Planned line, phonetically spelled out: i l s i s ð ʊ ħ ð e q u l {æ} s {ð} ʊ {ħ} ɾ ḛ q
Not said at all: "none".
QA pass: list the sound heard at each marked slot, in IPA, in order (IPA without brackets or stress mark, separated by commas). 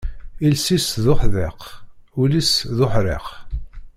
i, ð, ħ